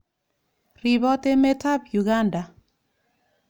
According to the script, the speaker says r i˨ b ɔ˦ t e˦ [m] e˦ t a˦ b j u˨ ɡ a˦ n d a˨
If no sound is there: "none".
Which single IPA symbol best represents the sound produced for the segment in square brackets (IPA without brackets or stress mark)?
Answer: m